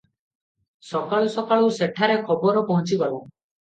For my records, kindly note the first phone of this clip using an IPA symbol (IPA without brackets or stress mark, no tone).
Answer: s